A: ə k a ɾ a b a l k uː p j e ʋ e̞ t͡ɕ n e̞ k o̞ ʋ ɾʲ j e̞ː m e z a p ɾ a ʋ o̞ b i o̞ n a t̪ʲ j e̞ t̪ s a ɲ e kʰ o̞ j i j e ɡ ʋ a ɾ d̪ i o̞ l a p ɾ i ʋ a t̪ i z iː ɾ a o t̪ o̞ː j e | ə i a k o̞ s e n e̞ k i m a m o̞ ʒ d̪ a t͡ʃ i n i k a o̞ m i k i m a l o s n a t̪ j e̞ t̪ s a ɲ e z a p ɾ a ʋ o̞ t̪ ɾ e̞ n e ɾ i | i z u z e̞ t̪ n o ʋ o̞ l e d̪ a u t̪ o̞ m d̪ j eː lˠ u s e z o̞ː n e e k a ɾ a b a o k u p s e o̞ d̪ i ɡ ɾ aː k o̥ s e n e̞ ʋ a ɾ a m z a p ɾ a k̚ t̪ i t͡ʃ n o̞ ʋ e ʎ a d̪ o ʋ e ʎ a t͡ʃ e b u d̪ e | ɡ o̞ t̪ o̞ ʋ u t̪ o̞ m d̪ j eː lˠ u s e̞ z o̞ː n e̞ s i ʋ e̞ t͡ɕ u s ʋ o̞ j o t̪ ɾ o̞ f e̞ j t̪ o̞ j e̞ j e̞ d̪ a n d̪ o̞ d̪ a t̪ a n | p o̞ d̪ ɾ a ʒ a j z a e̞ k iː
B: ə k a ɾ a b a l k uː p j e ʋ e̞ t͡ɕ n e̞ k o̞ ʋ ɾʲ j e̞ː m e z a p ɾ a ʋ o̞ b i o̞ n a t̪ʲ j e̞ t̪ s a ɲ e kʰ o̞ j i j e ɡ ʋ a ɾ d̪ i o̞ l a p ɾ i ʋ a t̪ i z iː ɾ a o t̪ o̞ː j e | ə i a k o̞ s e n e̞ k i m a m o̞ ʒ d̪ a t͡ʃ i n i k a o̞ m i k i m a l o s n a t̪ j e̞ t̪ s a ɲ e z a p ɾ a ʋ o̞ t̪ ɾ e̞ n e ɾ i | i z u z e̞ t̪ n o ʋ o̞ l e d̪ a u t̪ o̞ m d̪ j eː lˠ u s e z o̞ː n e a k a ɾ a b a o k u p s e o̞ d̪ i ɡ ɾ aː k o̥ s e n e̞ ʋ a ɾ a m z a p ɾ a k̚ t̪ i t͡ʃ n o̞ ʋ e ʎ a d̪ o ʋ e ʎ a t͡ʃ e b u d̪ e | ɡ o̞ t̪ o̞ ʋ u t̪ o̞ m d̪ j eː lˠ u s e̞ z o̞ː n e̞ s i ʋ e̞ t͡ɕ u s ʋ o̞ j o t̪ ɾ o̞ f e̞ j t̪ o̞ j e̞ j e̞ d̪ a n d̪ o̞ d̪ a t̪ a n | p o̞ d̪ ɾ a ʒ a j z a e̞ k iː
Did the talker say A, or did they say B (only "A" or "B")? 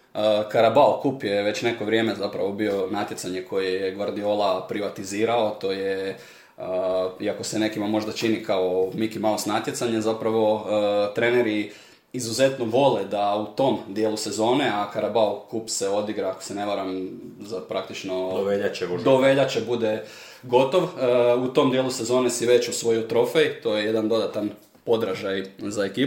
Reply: B